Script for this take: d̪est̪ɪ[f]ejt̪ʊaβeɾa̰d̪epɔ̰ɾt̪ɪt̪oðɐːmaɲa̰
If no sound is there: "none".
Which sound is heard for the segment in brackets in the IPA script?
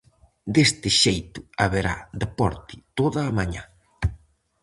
ʃ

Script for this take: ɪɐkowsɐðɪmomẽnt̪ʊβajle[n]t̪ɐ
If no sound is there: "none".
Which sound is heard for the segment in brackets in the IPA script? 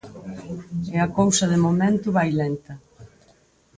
n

